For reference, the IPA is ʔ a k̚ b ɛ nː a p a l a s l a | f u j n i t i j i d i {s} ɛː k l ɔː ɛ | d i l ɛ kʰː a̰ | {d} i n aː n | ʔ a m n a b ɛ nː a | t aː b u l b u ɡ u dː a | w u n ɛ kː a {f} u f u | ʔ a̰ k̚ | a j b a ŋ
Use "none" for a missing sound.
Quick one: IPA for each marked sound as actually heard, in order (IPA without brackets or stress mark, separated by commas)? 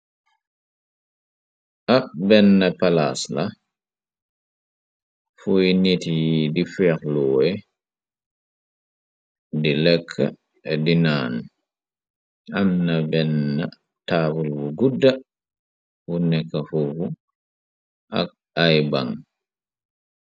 f, d, f